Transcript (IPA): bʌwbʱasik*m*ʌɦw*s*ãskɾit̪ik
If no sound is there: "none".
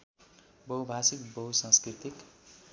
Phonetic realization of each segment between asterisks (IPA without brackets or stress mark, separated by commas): b, s